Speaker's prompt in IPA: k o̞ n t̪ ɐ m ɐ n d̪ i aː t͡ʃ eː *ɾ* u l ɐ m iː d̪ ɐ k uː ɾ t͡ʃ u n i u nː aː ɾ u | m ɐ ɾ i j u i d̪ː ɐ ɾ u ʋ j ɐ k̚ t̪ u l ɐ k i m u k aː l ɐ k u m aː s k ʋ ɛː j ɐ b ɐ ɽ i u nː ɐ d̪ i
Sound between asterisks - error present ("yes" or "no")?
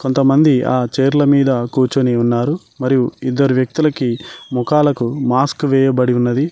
no